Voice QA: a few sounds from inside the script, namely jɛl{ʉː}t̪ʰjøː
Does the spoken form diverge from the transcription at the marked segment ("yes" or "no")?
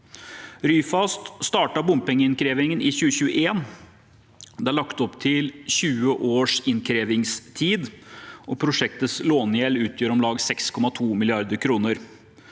no